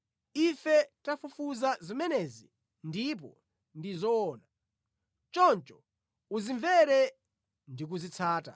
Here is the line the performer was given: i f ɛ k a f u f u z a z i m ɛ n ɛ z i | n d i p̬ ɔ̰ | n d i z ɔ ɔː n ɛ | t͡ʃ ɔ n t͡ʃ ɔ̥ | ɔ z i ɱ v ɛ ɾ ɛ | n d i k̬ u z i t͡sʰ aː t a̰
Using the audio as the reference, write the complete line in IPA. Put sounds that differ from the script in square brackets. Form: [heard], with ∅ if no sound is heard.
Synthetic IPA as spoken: i f ɛ [t] a f u f u z a z i m ɛ n ɛ z i | n d i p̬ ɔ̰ | n d i z ɔ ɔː n [a] | t͡ʃ ɔ n t͡ʃ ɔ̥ | [u] z i ɱ v ɛ ɾ ɛ | n d i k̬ u z i t͡sʰ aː t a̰